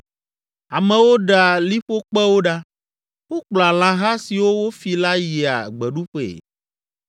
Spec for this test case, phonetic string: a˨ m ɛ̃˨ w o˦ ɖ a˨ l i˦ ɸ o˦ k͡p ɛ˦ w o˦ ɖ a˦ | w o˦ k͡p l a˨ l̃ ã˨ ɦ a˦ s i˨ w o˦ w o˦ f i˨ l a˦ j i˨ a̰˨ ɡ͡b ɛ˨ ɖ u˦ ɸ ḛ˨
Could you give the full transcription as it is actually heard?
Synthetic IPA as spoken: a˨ m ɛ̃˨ w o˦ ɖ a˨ l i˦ ɸ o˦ k͡p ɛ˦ w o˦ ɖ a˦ | w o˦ k͡p l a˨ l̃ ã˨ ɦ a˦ s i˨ w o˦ w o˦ f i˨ l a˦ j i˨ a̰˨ ɡ͡b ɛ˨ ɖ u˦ ɸ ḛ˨